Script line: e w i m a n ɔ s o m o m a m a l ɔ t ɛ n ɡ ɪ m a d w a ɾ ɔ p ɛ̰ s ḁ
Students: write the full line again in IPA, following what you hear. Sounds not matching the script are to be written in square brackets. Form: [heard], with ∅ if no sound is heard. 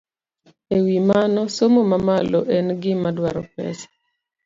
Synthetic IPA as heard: e w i m a n ɔ s o m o m a m a l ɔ [ʔ] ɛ n ɡ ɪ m a d w a ɾ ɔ p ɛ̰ s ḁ